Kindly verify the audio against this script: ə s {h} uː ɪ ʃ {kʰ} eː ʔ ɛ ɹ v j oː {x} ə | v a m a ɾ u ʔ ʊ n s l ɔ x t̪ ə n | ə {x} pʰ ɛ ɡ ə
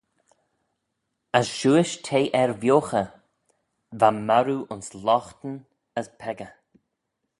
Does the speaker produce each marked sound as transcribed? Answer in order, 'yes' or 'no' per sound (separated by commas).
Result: no, no, yes, no